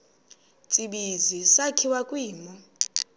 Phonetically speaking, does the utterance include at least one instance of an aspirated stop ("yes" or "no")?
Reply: yes